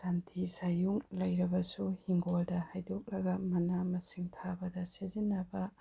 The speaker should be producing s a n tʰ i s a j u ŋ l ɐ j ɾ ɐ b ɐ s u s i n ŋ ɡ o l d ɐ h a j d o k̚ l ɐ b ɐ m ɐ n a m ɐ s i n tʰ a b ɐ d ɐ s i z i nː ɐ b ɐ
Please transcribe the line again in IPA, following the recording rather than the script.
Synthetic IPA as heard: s a n tʰ i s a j u ŋ l ɐ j ɾ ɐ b ɐ s u h i ŋ ɡ o l d ɐ h a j d o k̚ l ɐ ɡ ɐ m ɐ n a m ɐ s i ŋ tʰ a b ɐ d ɐ s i z i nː ɐ b ɐ